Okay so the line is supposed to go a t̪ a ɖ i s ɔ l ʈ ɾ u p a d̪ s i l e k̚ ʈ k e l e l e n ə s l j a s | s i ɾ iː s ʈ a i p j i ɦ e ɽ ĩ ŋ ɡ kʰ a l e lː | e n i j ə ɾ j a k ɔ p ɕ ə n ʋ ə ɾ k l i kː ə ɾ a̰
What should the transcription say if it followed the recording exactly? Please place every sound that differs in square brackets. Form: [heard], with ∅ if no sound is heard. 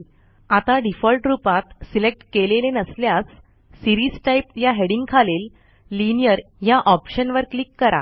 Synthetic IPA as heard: a t̪ a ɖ i [f] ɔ l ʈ ɾ u p a [t̪] s i l e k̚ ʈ k e l e l e n ə s l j a s | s i ɾ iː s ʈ a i p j [a] ɦ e ɽ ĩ ŋ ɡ kʰ a l e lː | [i] n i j ə ɾ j a [ʔ] ɔ p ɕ ə n ʋ ə ɾ k l i kː ə ɾ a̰